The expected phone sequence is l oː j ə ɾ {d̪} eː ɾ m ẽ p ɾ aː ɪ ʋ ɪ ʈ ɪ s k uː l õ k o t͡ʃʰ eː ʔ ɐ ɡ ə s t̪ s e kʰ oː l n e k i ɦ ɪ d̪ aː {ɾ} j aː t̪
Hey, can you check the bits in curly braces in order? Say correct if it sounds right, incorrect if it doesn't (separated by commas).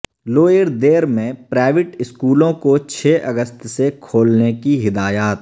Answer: correct, incorrect